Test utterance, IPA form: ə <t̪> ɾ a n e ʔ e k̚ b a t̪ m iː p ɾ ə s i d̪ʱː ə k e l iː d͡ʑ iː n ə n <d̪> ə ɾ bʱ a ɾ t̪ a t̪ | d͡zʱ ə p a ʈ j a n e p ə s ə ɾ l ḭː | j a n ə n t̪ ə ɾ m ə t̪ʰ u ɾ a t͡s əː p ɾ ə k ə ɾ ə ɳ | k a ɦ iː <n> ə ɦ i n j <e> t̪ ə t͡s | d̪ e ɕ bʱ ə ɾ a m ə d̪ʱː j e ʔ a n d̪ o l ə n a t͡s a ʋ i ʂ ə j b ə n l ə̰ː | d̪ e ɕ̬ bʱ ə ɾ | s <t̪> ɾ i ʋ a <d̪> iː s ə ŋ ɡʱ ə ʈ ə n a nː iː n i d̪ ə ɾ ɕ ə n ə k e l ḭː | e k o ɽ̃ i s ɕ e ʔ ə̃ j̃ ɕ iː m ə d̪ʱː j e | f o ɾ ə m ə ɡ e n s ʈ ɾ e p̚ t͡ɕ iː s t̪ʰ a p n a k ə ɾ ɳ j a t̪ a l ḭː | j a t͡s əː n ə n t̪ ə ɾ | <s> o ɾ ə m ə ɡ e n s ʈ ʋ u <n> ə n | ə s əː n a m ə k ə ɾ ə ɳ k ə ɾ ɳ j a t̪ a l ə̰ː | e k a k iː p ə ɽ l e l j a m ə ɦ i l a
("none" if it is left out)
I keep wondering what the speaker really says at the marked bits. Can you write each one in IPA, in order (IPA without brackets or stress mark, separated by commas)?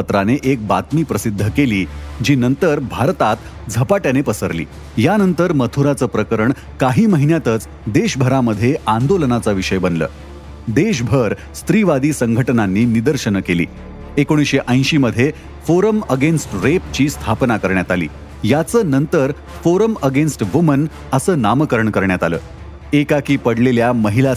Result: t̪, t̪, m, a, t̪, d̪, f, m